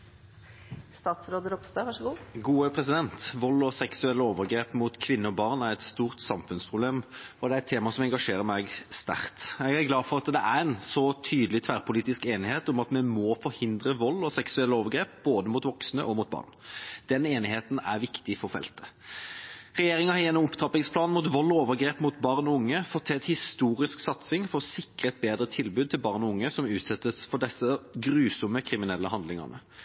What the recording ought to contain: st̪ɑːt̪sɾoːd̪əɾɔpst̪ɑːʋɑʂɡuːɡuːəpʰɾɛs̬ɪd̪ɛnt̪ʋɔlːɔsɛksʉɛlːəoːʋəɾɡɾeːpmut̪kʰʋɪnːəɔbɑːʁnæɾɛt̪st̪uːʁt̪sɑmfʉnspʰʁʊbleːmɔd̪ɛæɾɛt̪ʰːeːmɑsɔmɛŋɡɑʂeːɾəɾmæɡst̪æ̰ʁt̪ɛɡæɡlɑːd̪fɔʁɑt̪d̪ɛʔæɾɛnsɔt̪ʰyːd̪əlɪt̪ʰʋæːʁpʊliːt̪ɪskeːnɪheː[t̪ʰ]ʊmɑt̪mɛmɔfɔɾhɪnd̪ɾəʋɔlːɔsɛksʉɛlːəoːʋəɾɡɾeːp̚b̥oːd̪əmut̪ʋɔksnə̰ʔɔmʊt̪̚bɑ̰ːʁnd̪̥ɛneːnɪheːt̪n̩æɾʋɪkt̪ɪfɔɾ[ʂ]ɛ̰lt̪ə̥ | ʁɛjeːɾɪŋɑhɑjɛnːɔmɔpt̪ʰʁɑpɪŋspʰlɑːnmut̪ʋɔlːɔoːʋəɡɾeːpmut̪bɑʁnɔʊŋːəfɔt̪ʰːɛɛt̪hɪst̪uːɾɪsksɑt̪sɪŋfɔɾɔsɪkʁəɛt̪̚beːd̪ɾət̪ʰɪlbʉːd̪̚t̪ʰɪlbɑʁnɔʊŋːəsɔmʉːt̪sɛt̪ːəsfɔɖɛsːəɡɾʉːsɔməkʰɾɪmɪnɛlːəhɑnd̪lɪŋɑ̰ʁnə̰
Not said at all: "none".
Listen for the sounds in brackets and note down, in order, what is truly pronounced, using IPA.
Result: t̪, f

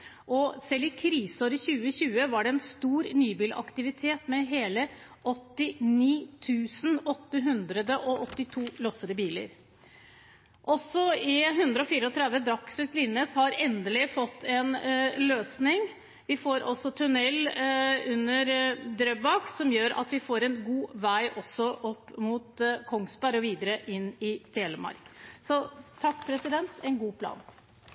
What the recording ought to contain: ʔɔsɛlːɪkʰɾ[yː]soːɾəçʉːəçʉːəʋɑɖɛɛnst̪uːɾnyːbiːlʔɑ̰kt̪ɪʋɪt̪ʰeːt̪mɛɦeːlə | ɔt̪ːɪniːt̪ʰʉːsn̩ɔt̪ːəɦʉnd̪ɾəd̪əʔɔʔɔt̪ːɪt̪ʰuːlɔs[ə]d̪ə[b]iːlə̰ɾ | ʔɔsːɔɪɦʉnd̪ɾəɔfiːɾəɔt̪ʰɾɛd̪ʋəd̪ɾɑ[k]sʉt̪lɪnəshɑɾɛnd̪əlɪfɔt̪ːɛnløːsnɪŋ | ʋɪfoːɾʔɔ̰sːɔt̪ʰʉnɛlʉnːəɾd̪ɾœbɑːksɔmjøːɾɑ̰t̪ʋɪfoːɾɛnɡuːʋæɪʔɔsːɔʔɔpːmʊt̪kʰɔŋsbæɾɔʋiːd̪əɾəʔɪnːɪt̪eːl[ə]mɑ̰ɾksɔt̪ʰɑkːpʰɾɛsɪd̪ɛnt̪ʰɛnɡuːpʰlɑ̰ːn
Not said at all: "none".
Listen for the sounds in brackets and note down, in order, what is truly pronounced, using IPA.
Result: iː, ə, b, k, ə

